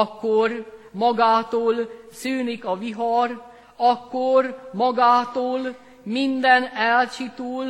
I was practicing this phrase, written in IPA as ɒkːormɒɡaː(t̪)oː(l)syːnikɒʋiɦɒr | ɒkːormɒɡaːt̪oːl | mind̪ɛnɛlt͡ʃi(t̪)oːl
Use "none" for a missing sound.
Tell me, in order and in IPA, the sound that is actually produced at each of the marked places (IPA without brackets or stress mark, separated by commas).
t̪, l, t̪